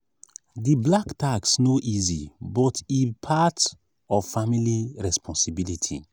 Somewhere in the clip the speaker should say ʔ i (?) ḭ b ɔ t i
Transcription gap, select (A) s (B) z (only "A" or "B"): B